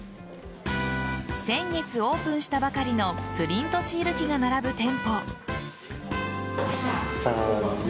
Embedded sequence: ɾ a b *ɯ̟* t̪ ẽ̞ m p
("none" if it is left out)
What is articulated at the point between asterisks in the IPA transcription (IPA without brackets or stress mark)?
ɯ̟